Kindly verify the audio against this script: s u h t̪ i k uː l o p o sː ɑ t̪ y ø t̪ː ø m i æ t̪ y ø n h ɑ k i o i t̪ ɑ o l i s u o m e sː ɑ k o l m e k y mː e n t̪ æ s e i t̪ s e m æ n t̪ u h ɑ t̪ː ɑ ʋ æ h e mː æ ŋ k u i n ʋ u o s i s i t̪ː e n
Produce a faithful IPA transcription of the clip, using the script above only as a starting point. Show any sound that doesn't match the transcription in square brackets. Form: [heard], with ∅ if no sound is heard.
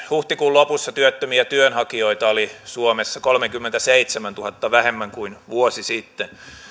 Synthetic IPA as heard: [h] u h t̪ i k uː l o p [u] sː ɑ t̪ y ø t̪ː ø m i æ t̪ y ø n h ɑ k i o i t̪ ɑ o l i s u o m e sː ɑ k o l m e k y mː e n t̪ æ s e i t̪ s e m æ n t̪ u h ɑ t̪ː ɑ ʋ æ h e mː æ ŋ k u i n ʋ u o s i s i t̪ː e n